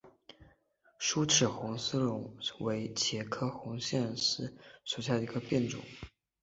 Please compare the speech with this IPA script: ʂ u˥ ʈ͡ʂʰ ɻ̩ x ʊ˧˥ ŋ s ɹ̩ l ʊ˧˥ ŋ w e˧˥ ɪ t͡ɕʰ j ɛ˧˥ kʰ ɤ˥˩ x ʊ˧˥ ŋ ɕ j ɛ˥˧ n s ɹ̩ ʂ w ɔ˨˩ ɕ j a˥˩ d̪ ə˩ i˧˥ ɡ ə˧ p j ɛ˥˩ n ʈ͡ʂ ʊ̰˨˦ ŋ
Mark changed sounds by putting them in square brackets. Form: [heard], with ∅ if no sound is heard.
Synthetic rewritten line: ʂ u˥ ʈ͡ʂʰ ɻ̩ x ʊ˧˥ ŋ s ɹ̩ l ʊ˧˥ ŋ w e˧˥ ɪ t͡ɕʰ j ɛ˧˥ kʰ [ɤ˥] x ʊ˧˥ ŋ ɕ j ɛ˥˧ n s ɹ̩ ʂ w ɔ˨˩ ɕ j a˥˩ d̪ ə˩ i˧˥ ɡ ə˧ p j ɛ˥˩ n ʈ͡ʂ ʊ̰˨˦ ŋ